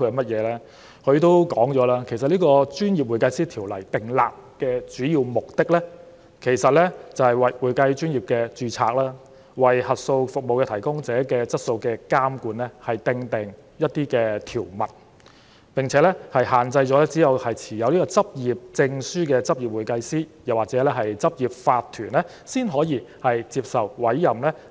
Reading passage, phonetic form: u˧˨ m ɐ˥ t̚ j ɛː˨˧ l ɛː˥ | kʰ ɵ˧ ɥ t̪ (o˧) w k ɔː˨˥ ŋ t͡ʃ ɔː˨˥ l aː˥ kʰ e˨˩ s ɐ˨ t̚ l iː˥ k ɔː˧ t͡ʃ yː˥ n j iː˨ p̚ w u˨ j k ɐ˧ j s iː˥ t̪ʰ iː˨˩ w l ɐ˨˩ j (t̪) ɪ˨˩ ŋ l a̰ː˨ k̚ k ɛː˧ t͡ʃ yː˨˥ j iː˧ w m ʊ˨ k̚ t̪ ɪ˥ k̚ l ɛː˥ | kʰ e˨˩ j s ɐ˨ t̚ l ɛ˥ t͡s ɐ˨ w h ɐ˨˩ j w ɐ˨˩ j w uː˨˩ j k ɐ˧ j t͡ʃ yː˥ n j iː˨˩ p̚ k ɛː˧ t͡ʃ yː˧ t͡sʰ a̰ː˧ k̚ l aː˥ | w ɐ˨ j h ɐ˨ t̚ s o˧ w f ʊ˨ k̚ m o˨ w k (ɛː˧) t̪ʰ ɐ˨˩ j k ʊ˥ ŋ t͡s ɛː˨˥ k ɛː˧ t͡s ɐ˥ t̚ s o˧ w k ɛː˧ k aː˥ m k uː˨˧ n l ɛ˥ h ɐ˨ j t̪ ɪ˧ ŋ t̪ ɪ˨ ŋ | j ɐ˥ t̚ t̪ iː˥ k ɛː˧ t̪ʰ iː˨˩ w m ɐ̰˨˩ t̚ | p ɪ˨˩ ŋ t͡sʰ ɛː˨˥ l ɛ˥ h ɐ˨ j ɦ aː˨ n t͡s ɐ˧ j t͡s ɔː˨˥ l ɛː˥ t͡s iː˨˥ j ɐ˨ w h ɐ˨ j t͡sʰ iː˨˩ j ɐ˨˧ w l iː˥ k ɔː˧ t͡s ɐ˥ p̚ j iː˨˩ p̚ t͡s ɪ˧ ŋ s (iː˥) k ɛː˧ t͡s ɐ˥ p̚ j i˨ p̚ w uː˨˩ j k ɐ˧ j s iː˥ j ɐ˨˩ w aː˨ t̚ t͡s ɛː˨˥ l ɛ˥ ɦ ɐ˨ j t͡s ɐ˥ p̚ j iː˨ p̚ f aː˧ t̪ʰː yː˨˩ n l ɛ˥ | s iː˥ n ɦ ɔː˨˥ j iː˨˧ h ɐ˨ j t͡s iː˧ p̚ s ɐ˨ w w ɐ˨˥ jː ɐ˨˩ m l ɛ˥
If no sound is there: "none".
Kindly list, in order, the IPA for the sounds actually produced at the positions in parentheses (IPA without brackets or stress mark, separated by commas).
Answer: o˥, t̪, ɛ˧, yː˥